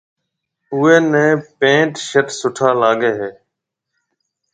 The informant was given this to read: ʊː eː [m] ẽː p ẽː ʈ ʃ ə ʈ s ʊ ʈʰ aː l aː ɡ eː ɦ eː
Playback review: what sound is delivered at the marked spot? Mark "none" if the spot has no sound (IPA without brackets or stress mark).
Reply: n